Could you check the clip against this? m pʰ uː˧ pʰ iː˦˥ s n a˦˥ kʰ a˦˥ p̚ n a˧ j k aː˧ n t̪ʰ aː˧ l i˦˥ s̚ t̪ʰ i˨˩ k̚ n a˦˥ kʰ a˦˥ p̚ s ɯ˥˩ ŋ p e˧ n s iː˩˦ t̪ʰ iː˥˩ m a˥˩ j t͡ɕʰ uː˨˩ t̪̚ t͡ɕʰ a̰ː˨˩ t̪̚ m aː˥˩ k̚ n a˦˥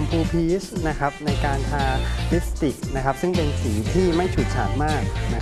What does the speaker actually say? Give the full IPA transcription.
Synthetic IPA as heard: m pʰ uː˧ pʰ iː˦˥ s n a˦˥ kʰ a˦˥ p̚ n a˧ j k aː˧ n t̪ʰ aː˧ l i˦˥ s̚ t̪ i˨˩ k̚ n a˦˥ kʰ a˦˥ p̚ s ɯ˥˩ ŋ p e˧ n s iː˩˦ t̪ʰ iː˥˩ m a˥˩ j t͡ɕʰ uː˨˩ t̪̚ t͡ɕʰ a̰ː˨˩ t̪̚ m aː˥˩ k̚ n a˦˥